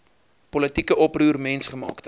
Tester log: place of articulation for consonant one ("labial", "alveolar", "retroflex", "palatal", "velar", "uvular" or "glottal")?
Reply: labial